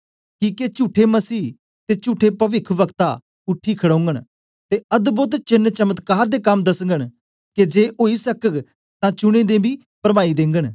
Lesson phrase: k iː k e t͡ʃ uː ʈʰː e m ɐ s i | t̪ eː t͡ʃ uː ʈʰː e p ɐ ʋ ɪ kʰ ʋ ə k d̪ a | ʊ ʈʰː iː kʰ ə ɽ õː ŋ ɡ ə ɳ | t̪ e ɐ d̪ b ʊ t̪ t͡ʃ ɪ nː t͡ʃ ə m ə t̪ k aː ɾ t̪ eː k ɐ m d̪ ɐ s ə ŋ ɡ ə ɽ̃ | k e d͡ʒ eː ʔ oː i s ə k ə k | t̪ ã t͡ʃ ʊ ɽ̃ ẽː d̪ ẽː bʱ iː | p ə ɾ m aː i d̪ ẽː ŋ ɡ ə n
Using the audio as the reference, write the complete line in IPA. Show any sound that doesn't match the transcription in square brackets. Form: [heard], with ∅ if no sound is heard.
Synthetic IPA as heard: k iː k e t͡ʃ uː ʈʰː e m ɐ s [iː] | t̪ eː t͡ʃ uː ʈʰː e p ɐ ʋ ɪ kʰ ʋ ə k [t̪] a | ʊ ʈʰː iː kʰ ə ɽ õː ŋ ɡ ə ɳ | t̪ e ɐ d̪ b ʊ t̪ t͡ʃ ɪ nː t͡ʃ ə m ə t̪ k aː ɾ [d̪] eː k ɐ m d̪ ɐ s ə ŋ ɡ ə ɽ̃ | k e d͡ʒ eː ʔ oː i s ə k ə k | t̪ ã t͡ʃ ʊ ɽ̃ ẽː d̪ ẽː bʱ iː | p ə ɾ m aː i d̪ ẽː ŋ ɡ ə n

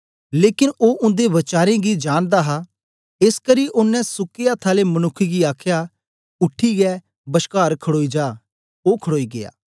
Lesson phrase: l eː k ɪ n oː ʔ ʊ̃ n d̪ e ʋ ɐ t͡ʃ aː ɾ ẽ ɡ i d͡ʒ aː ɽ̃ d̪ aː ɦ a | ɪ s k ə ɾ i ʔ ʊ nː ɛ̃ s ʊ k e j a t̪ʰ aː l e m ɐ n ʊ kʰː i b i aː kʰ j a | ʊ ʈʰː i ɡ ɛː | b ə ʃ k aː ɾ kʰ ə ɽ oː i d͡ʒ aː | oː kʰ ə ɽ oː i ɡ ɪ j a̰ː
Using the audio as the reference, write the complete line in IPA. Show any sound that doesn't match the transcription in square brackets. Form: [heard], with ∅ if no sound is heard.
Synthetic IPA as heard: l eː k ɪ n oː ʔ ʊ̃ n d̪ e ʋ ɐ t͡ʃ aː ɾ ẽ ɡ i d͡ʒ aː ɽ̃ d̪ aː ɦ a | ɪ s k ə ɾ i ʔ ʊ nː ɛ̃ s ʊ k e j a t̪ʰ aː l e m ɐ n ʊ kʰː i [ɡ] i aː kʰ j a | ʊ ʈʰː i ɡ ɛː | b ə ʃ k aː ɾ kʰ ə ɽ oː i d͡ʒ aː | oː kʰ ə ɽ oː i ɡ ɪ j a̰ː

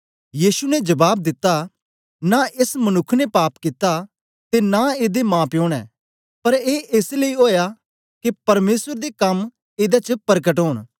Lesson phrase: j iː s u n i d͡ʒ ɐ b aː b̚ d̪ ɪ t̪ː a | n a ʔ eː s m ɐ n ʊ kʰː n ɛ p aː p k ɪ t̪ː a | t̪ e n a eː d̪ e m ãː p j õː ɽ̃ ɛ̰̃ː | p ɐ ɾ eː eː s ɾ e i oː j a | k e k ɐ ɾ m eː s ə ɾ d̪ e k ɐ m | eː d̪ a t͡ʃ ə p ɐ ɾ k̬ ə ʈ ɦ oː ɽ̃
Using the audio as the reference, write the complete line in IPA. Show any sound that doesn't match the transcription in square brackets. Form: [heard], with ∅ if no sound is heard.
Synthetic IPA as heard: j iː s u n [ɛ] d͡ʒ ɐ b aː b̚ d̪ ɪ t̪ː a | n a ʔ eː s m ɐ n ʊ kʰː n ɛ p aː p k ɪ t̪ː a | t̪ e n a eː d̪ e m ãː p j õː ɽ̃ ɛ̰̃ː | p ɐ ɾ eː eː s [l] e i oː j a | k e [p] ɐ ɾ m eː s ə ɾ d̪ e k ɐ m | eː d̪ a t͡ʃ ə p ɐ ɾ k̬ ə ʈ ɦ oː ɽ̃

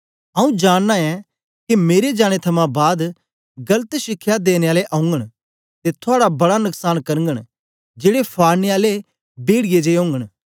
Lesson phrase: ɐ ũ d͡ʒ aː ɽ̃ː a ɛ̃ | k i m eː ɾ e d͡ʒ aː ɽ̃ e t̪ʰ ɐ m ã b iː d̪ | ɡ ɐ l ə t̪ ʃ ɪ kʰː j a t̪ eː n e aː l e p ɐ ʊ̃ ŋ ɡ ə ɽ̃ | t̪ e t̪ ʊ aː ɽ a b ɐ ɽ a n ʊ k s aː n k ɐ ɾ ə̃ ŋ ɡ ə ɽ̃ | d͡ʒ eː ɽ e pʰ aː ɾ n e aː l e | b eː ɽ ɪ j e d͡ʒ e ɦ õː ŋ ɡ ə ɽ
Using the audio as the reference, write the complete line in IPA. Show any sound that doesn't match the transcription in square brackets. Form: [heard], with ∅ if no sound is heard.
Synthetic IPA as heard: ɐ ũ d͡ʒ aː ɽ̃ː a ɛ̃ | k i m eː ɾ e d͡ʒ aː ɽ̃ e t̪ʰ ɐ m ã b [aː] d̪ | ɡ ɐ l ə t̪ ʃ ɪ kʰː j a [d̪] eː n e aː l e [ʔ] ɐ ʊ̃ ŋ ɡ ə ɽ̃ | t̪ e [t̪ʰ] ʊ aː ɽ a b ɐ ɽ a n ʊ k s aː n k ɐ ɾ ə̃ ŋ ɡ ə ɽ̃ | d͡ʒ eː ɽ e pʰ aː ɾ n e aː l e | b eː ɽ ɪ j e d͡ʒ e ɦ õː ŋ ɡ ə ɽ

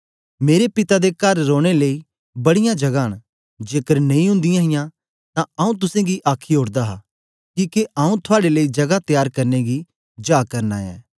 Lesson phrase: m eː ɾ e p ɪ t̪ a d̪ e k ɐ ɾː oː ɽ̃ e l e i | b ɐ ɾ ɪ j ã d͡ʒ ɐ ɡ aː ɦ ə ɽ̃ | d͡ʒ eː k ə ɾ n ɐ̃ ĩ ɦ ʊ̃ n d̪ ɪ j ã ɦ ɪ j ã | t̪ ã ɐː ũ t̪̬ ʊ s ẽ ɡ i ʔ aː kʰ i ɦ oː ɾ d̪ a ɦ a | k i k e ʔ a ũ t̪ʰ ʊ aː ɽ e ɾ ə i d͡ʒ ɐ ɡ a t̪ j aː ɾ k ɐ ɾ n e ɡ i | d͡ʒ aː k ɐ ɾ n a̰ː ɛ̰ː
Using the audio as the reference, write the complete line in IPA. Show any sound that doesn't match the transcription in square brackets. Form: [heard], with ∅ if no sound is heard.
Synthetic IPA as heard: m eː ɾ e p ɪ t̪ a d̪ e k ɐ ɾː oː ɽ̃ e l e i | b ɐ [ɽ] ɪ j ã d͡ʒ ɐ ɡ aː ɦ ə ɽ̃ | d͡ʒ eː k ə ɾ n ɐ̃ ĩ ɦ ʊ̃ n d̪ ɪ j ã ɦ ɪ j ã | t̪ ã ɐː ũ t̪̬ ʊ s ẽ ɡ i ʔ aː kʰ i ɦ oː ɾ d̪ a ɦ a | k [iː] k e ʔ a ũ t̪ʰ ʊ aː ɽ e [l] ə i d͡ʒ ɐ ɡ a t̪ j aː ɾ k ɐ ɾ n e ɡ i | d͡ʒ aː k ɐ ɾ n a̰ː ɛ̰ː

